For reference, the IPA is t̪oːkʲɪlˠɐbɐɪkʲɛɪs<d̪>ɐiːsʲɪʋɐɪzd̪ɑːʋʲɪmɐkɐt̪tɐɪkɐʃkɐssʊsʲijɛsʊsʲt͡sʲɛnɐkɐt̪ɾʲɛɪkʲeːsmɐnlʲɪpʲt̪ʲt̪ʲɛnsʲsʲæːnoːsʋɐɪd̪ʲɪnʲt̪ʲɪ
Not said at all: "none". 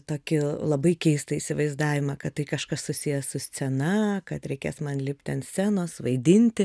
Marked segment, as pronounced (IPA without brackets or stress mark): t̪